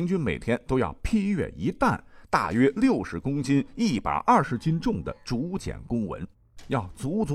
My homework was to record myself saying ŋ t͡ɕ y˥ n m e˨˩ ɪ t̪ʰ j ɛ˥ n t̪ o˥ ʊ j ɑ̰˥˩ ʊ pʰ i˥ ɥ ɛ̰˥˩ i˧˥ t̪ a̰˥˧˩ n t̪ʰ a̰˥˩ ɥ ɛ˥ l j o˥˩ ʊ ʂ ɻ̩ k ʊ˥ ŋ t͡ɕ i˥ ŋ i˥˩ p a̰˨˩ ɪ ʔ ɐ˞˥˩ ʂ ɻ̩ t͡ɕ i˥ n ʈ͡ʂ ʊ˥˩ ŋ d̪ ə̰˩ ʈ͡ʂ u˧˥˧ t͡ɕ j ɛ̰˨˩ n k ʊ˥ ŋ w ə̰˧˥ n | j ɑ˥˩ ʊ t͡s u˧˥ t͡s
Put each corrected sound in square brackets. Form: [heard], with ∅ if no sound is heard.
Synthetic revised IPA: ŋ t͡ɕ y˥ n m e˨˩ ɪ t̪ʰ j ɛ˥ n t̪ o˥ ʊ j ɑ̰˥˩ ʊ pʰ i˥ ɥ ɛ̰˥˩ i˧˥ t̪ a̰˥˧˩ n [t̪] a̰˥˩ ɥ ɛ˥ l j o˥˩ ʊ ʂ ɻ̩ k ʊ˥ ŋ t͡ɕ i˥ [n] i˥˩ p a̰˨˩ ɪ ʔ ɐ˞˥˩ ʂ ɻ̩ t͡ɕ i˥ n ʈ͡ʂ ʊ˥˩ ŋ d̪ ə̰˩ ʈ͡ʂ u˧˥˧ t͡ɕ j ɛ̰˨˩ n k ʊ˥ ŋ w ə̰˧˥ n | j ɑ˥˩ ʊ t͡s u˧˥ t͡s